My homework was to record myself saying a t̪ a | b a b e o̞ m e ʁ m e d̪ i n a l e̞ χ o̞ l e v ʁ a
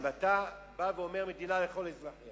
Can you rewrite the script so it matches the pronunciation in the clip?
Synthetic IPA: a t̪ a | b a v e o̞ m e ʁ m e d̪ i n a l e̞ χ o̞ l e z ʁ a